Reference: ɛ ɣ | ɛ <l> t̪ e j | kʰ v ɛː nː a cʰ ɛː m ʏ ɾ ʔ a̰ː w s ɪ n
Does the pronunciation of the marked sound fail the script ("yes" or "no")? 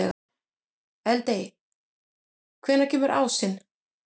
no